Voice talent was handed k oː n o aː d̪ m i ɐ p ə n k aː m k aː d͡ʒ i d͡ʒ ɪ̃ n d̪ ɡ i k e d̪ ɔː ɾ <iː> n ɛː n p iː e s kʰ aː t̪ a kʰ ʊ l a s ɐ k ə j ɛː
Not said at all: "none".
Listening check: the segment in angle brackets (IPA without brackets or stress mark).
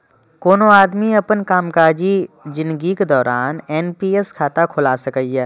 aː